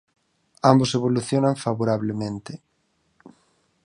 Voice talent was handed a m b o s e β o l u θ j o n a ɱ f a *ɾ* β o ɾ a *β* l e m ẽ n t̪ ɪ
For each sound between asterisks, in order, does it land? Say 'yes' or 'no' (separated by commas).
no, yes